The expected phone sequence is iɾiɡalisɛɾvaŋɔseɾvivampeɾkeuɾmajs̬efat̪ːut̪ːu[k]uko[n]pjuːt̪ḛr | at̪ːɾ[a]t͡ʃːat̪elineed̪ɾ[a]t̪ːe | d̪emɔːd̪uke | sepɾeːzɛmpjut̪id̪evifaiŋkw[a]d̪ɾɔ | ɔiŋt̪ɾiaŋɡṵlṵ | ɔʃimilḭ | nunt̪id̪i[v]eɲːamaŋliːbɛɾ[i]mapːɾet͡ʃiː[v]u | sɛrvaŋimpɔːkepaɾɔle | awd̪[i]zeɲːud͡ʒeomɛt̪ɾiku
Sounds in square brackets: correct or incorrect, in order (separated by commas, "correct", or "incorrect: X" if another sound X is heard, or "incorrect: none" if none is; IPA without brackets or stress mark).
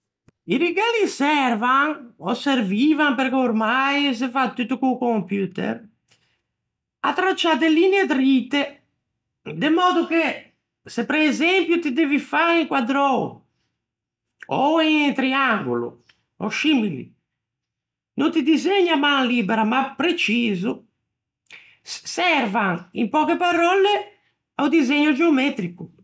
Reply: correct, incorrect: m, correct, incorrect: i, correct, incorrect: z, incorrect: a, incorrect: z, correct